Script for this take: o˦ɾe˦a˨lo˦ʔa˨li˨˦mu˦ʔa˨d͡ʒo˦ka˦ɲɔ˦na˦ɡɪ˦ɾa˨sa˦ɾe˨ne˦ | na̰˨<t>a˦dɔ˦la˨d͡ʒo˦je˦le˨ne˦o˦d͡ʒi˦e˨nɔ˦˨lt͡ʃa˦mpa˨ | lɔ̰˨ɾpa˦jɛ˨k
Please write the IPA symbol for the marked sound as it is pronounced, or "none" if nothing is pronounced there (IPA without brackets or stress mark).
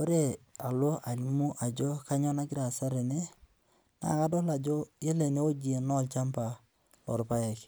k